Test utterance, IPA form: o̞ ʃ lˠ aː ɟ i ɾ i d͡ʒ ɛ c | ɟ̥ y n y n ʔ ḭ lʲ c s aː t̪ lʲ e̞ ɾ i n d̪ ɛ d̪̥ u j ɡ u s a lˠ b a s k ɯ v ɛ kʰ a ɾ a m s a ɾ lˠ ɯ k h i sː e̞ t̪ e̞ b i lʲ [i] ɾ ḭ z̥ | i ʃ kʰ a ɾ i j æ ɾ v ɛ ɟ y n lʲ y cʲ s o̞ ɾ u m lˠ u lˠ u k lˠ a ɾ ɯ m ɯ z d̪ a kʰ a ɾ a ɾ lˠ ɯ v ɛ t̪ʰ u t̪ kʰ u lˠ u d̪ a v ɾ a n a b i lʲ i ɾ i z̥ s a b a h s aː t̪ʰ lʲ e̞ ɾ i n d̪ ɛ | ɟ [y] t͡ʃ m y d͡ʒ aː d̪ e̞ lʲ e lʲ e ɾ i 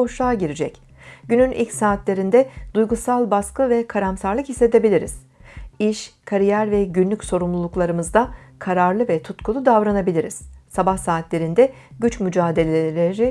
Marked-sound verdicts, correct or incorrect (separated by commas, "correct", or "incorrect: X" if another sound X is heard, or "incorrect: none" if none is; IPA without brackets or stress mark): correct, correct